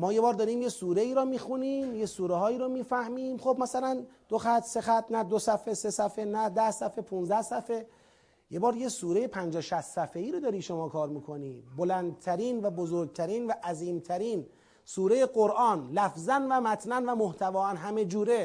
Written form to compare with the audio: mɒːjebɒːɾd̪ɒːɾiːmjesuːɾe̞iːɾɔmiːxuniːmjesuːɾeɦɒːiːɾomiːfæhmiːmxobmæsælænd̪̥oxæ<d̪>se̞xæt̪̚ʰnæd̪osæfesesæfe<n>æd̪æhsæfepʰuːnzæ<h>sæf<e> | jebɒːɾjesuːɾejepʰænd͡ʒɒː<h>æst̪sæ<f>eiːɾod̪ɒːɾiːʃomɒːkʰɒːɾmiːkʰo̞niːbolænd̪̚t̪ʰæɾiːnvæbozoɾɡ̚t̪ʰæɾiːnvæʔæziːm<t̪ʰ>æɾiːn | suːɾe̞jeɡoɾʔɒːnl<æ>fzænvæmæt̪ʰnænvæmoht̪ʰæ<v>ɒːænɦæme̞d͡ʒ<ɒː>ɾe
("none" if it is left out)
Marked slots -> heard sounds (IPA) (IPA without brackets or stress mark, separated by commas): t̪, n, h, e, ʃ, f, t̪ʰ, æ, v, uː